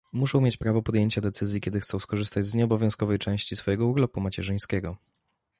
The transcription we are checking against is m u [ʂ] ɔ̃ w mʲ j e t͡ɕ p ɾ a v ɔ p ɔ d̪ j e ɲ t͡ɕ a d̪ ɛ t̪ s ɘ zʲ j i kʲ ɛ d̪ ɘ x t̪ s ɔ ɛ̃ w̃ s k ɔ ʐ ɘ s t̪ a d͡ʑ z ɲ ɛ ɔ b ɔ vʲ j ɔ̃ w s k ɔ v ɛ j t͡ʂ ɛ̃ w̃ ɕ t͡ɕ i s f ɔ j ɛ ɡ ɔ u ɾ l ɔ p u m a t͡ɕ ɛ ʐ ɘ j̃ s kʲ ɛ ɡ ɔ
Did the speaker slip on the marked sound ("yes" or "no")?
no